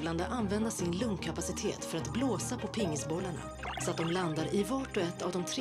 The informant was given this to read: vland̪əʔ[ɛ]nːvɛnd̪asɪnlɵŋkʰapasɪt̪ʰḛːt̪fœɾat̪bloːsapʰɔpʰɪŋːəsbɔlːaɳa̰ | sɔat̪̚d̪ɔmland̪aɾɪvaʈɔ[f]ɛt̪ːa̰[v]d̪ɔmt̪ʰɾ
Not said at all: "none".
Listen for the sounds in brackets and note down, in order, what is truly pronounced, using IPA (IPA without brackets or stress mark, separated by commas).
a, none, v